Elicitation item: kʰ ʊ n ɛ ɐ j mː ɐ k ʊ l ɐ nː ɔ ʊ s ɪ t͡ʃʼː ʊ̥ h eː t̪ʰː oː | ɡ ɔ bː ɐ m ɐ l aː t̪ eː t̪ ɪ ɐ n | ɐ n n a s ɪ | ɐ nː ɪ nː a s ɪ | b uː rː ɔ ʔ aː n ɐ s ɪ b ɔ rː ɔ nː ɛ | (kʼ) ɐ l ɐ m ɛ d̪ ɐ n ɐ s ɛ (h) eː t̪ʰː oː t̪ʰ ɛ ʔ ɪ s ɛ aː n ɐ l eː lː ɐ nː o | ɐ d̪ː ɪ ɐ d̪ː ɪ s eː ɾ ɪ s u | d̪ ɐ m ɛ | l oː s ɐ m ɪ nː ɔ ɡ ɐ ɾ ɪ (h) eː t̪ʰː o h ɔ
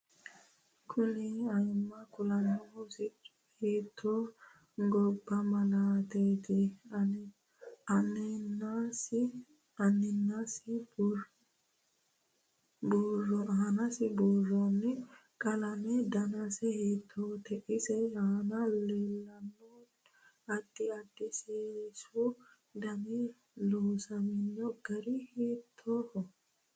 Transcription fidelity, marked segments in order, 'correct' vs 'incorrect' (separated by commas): correct, correct, correct